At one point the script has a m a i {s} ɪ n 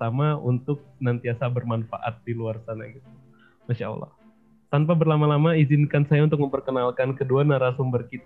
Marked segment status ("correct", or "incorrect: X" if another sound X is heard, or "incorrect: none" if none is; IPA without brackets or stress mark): incorrect: z